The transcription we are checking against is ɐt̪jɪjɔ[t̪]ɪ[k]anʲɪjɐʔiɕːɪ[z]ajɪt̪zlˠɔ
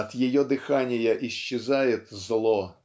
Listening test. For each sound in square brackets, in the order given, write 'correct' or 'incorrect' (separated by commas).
incorrect, incorrect, correct